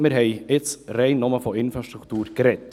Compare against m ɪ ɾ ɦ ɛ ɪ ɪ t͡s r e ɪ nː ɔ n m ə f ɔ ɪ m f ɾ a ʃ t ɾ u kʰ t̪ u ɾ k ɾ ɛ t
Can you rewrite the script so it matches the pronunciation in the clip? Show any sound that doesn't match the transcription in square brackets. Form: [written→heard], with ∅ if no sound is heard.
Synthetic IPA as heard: m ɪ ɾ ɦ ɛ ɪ ɪ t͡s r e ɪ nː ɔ [n→∅] m ə f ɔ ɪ [m→n] f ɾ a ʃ t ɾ u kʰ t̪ [u→uː] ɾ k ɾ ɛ t

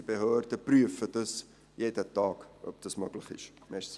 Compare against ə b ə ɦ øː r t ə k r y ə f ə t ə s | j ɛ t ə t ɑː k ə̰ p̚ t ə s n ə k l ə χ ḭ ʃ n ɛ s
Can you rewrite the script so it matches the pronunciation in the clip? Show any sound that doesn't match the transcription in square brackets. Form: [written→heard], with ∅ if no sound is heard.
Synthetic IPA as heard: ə b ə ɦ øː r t ə [k→p] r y ə f ə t ə s | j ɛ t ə t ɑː k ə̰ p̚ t ə s [n→m] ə k l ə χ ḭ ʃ [n→m] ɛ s

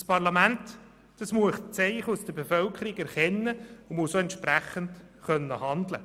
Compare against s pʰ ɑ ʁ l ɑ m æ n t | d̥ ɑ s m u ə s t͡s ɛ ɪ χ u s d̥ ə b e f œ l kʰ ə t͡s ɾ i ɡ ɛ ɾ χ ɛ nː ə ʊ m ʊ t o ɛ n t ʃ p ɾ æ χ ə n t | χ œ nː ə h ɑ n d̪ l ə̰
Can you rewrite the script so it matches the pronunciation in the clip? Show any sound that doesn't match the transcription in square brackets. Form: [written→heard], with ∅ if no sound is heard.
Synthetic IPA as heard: s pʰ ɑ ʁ l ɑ m æ n t | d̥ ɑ s m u ə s t͡s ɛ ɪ χ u s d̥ ə b e f œ l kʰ ə [t͡s→∅] ɾ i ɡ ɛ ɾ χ ɛ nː ə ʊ m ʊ [t→s] o ɛ n t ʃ p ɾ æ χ ə n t | χ œ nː ə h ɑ n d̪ l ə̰

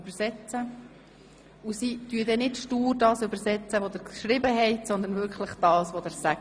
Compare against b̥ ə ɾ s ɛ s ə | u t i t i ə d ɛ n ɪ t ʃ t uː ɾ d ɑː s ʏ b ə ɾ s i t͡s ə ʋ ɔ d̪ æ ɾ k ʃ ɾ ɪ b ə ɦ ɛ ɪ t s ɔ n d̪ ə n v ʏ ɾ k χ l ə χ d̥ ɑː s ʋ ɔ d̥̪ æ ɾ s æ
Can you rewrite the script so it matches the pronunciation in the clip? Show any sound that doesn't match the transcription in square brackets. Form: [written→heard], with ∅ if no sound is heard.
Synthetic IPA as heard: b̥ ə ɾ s ɛ [s→t͡s] ə | u [t→s] i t [i→y] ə d ɛ n ɪ t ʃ t uː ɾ d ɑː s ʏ b ə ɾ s [i→ɛ] t͡s ə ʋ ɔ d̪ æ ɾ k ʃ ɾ ɪ b ə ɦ ɛ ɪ t s ɔ n d̪ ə n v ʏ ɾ k χ l ə χ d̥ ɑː s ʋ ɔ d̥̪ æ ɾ s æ

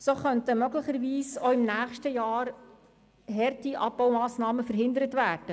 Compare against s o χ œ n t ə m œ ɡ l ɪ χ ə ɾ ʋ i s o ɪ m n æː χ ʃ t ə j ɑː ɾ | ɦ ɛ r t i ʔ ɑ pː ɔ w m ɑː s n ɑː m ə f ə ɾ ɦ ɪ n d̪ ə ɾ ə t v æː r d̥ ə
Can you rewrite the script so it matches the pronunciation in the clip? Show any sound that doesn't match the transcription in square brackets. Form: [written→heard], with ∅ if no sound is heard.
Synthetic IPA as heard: s o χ œ n t ə m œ ɡ l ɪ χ ə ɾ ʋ [i→iː] s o ɪ m n æː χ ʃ t ə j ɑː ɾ | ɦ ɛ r t i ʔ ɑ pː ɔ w m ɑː s n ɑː m ə f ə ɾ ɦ ɪ n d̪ ə ɾ ə t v æː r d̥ ə

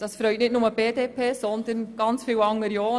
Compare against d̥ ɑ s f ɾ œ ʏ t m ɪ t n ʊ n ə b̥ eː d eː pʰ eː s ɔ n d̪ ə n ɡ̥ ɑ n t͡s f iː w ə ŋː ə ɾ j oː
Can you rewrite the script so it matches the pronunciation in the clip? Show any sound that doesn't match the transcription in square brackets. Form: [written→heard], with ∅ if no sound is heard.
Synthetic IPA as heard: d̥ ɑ s f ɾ œ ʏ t [m→n] ɪ t n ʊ [n→m] ə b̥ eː d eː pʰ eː s ɔ n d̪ ə n ɡ̥ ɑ n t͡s f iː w [ə→ɑ] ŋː ə ɾ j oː

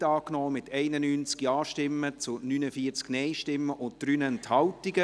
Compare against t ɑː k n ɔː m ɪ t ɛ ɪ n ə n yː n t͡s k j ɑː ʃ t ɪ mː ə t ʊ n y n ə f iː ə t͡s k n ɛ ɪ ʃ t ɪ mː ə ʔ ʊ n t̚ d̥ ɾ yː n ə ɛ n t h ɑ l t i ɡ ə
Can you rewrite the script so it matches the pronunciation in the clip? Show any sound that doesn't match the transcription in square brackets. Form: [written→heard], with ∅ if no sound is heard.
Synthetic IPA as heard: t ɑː k n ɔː m ɪ t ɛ ɪ n ə n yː n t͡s k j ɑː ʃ t ɪ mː ə [t→t͡s] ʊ n y n ə f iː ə t͡s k n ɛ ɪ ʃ t ɪ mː ə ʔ ʊ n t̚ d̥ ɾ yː n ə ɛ n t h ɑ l t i ɡ ə

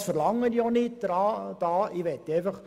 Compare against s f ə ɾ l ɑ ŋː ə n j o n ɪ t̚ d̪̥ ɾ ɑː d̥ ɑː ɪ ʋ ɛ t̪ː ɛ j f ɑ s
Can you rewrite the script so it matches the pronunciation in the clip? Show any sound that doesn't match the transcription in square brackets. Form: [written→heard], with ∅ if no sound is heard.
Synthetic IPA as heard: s f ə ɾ l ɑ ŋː ə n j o n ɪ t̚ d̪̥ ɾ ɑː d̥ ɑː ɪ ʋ ɛ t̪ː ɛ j f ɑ [s→χ]

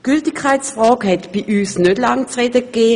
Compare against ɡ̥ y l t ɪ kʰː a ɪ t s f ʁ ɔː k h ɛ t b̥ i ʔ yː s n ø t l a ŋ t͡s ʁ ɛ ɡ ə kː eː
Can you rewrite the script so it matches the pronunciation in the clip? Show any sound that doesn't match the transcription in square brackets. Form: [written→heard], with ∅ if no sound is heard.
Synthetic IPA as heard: ɡ̥ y l t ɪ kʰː a ɪ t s f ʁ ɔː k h ɛ t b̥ i ʔ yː s n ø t l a ŋ t͡s ʁ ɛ [ɡ→d] ə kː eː

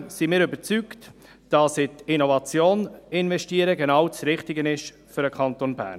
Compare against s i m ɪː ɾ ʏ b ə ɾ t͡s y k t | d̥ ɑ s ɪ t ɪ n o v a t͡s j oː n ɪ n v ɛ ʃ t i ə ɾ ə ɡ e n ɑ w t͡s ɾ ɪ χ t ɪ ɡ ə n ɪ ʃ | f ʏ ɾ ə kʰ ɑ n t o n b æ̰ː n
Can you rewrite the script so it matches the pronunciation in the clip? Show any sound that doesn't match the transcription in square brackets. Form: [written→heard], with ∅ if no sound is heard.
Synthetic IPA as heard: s i m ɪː ɾ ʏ b ə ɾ t͡s y k t | d̥ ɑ s ɪ t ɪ n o v [a→ɑ] t͡s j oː n ɪ n v ɛ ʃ t i ə ɾ ə ɡ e n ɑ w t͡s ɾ ɪ χ t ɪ ɡ ə n ɪ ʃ | f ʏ ɾ ə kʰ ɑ n t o n b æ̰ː n

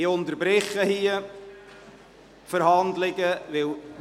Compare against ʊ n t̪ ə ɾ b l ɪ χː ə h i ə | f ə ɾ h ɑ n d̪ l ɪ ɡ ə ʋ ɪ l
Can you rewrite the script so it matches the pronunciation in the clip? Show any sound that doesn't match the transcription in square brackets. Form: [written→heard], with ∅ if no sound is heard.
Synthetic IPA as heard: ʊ n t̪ ə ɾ b [l→ɾ] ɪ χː ə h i ə | f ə ɾ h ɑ n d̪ l ɪ ɡ ə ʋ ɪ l

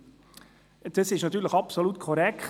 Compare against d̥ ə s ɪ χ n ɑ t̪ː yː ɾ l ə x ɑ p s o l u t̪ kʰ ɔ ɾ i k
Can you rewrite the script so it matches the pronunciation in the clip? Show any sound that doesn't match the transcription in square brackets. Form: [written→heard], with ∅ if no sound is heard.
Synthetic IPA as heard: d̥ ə s ɪ [χ→ʃ] n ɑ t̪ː yː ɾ l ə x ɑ p s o l u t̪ kʰ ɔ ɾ [i→ɛ] k

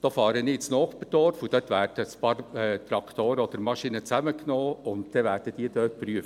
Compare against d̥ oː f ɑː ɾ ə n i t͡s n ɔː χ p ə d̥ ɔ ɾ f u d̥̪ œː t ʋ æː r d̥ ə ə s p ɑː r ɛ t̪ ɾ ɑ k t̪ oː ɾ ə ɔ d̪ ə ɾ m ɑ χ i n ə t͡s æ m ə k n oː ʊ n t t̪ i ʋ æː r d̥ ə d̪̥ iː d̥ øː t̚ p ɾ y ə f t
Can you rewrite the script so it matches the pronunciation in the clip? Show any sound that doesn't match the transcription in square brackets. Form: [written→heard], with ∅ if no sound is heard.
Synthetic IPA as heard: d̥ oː f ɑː ɾ ə n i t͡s n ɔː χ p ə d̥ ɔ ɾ f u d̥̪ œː t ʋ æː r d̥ ə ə s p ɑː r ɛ t̪ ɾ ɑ k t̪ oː ɾ ə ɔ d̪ ə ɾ m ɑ [χ→ʃ] i n ə t͡s æ m ə k n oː ʊ n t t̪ [i→ɛ] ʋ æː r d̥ ə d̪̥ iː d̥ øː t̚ p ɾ y ə f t

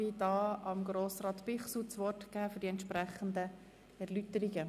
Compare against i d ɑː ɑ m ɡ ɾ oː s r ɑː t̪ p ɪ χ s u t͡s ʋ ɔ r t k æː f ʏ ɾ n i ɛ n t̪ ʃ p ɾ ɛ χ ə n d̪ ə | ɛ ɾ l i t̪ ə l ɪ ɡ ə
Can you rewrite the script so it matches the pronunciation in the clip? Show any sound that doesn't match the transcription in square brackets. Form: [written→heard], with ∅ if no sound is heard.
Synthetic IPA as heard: i d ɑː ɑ m ɡ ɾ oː s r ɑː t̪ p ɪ χ s u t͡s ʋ ɔ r t k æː f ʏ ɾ [n→d] i ɛ n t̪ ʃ p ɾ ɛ χ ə n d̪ ə | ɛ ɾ l [i→y] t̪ ə [l→ɾ] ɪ ɡ ə

